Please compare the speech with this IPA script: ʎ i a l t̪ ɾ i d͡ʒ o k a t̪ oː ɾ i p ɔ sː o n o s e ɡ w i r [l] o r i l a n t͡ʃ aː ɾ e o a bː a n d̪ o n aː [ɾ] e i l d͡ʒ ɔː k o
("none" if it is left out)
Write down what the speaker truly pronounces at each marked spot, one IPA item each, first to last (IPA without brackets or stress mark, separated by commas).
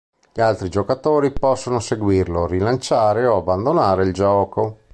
l, ɾ